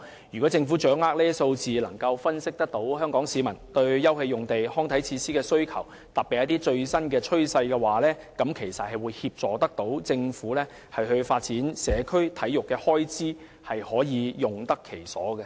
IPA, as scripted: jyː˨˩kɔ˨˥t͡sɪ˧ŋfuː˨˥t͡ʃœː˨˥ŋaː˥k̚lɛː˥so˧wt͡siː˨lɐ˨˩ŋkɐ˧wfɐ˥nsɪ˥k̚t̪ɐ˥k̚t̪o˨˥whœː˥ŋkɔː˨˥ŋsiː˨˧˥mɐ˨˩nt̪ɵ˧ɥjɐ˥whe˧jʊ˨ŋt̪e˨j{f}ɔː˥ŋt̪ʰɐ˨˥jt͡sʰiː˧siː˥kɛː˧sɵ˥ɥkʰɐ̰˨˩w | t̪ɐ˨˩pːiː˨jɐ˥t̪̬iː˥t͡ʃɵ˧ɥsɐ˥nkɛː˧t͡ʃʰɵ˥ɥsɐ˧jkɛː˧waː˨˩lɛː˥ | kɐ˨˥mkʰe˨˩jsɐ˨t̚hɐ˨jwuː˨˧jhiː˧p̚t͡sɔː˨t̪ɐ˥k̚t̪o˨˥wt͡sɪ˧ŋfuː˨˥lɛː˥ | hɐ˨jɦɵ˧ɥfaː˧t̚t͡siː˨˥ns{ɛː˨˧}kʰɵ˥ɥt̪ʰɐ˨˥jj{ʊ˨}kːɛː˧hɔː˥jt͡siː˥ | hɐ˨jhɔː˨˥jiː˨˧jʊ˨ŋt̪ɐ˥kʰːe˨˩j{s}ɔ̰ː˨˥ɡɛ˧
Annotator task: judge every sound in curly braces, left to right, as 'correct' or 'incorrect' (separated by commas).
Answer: incorrect, correct, correct, correct